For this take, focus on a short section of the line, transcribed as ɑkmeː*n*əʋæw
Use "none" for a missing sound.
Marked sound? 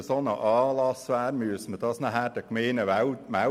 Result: n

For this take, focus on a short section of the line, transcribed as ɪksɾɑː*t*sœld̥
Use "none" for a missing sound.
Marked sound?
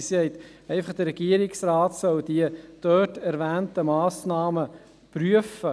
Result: t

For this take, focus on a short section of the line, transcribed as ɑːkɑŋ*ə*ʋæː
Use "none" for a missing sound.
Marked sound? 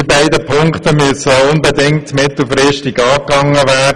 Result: ə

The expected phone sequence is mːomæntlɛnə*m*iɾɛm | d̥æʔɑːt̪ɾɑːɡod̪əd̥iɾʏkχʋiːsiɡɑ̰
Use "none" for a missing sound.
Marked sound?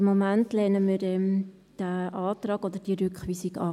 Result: m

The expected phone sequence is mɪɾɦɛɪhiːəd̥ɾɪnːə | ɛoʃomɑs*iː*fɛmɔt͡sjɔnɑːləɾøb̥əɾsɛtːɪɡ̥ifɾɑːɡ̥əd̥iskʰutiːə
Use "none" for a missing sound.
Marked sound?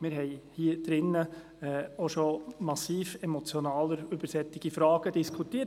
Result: iː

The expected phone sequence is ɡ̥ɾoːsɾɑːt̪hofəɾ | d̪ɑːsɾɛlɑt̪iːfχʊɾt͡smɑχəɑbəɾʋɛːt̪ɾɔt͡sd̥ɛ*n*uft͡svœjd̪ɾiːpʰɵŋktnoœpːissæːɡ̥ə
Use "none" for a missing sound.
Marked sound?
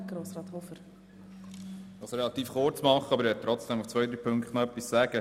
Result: m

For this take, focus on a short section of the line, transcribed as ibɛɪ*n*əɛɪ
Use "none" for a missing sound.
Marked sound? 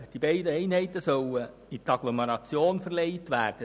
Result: d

